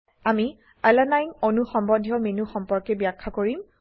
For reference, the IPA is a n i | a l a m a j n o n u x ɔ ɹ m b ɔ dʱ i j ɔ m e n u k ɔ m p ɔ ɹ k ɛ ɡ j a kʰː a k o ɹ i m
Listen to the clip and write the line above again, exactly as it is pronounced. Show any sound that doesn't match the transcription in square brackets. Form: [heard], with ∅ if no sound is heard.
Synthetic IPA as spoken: a [m] i | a l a [n] a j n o n u x ɔ [∅] m b ɔ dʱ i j ɔ m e n u [x] ɔ m p ɔ ɹ k ɛ [b] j a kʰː a k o ɹ i m